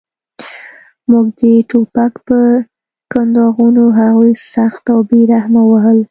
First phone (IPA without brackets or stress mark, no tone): m